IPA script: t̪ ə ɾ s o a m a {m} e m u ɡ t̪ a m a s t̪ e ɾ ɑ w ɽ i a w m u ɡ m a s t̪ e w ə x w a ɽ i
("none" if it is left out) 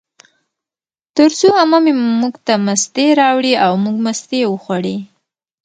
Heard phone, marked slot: m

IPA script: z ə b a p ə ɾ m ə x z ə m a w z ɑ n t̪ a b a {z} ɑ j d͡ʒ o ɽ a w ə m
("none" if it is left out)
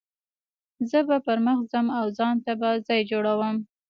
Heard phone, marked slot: z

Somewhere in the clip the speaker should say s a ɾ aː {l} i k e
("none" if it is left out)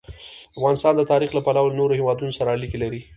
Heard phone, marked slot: l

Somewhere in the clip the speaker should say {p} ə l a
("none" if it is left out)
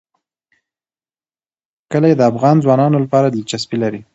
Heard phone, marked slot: k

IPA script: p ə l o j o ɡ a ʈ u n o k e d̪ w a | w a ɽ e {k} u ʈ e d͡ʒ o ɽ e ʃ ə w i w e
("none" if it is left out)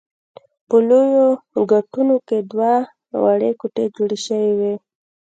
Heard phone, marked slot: k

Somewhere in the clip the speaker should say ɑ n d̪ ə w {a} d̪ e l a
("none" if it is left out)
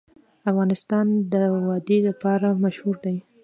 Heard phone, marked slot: ɑ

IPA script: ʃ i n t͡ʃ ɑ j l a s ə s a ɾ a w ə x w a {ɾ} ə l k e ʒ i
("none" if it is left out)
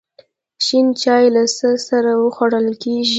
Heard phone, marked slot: ɽ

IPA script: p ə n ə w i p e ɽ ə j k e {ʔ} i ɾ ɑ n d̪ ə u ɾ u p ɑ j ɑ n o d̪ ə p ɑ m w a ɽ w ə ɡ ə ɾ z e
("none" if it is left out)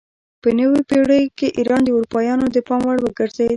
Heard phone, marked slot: ʔ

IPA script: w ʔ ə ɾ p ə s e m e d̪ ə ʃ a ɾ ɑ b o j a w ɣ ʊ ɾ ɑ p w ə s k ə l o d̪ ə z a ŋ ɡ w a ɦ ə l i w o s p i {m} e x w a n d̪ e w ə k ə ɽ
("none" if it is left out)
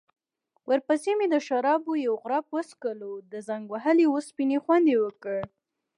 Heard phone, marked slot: n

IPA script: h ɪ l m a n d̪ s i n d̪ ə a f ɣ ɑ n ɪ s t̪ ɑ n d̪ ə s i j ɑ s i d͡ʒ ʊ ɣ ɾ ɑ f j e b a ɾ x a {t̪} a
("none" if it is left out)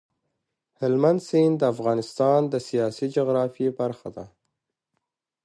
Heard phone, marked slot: d̪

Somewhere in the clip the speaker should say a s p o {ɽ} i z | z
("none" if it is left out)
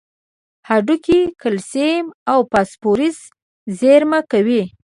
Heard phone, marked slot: ɾ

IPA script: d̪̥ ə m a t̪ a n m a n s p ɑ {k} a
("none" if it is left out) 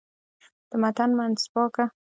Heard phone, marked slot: k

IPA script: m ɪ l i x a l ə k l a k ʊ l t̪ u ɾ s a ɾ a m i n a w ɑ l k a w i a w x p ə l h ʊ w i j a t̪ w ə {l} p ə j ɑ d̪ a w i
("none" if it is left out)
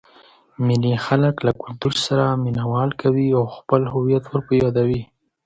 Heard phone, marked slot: ɾ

